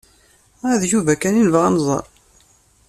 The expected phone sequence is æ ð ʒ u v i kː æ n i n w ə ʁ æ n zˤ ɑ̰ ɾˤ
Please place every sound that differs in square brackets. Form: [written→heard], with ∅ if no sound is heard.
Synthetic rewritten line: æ ð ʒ u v [i→æ] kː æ n i n [w→v] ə ʁ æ n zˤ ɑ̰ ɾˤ